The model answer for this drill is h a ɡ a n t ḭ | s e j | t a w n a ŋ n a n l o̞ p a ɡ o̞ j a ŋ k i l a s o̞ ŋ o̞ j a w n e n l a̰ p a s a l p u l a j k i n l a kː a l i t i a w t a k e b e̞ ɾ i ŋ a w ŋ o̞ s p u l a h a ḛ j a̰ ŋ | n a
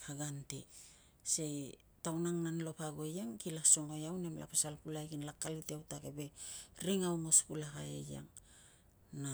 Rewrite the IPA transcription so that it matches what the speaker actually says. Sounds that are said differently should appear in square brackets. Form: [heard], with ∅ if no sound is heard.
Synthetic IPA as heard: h a ɡ a n t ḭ | s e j | t a w n a ŋ n a n l o̞ p a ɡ o̞ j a ŋ k i l a s o̞ ŋ o̞ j a w n e [m] l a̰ p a s a l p u l a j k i n l a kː a l i t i a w t a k e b e̞ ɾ i ŋ a w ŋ o̞ s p u l a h a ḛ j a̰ ŋ | n a